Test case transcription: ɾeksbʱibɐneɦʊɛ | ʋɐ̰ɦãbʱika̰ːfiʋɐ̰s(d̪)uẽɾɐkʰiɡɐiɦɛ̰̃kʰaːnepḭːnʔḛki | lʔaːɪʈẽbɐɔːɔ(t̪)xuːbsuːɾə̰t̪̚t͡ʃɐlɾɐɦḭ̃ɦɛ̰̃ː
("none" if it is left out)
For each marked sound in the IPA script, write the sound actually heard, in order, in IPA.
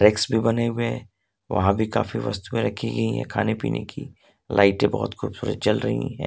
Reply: t̪, t̪

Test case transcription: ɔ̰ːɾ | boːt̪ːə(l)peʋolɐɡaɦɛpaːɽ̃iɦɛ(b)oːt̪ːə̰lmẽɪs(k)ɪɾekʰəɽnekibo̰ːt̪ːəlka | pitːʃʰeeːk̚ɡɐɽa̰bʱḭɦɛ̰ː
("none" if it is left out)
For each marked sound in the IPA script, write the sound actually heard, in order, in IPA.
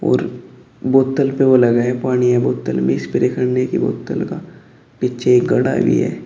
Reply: l, b, p

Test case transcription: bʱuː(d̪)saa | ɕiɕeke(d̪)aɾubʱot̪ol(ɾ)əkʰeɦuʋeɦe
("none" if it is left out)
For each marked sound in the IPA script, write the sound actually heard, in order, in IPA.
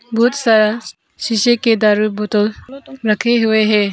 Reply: t̪, d̪, ɾ

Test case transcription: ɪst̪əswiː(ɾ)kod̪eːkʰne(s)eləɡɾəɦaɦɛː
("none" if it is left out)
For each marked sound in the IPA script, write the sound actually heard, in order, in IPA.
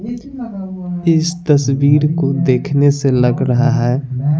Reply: ɾ, s

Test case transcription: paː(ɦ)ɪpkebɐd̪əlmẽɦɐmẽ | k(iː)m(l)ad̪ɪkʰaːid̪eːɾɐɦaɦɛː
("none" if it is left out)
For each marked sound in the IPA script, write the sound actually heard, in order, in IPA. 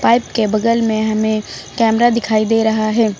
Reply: none, ɛː, ɾ

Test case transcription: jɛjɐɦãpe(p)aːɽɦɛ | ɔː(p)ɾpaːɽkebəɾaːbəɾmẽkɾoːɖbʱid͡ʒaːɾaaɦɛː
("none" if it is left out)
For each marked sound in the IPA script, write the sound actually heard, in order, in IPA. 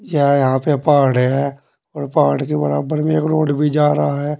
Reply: p, none

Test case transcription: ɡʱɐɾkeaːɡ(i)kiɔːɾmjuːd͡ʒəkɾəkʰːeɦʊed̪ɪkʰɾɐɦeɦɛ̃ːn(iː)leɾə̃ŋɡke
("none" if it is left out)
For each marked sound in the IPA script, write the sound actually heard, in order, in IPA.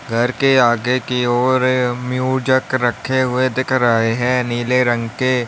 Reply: e, iː

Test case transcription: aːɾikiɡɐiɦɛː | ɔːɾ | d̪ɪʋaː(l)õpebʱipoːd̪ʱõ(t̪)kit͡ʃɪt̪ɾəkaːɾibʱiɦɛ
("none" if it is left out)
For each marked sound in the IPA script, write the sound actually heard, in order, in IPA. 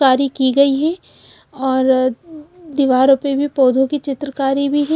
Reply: ɾ, none

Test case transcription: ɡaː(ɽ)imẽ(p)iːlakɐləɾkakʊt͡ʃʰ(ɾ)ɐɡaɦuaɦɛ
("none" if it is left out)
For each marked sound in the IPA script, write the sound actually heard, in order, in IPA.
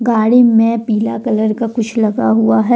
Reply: ɽ, p, l

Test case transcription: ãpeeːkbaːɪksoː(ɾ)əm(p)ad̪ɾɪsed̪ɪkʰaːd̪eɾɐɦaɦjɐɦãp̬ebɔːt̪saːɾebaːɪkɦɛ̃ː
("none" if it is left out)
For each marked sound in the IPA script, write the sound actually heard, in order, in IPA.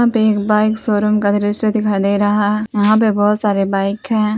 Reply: ɾ, k

